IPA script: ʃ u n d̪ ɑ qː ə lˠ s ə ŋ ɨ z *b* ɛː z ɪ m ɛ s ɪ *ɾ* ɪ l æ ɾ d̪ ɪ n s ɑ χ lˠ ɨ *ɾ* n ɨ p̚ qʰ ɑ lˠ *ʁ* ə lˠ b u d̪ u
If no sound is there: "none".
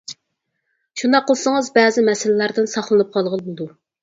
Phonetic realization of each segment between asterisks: b, l, none, ʁ

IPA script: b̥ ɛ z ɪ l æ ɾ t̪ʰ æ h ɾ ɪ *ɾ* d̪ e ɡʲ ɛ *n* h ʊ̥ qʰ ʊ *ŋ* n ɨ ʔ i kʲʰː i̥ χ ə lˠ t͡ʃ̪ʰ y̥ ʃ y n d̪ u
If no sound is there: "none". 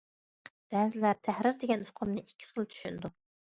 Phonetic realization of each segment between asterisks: ɾ, n, m

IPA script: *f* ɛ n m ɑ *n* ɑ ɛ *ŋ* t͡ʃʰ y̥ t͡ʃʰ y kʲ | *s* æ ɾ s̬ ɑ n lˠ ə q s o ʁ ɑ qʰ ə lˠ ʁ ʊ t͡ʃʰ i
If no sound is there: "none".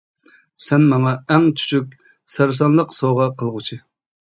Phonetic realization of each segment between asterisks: s, ŋ, ŋ, s

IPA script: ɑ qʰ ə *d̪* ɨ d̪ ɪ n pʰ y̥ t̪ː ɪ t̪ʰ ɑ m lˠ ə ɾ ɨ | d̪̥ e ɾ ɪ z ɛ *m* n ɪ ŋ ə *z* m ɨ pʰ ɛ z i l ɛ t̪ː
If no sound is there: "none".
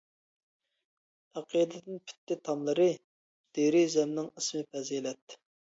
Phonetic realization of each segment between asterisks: d̪, m, s

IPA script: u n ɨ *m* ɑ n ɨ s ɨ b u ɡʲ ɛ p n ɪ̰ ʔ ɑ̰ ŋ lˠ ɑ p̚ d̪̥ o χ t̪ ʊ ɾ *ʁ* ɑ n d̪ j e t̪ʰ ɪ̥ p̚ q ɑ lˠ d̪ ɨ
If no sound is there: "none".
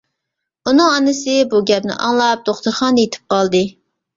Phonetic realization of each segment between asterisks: ŋ, χ

